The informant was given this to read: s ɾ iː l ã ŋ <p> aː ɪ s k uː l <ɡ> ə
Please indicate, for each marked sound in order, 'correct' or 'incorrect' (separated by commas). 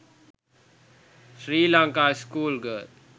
incorrect, correct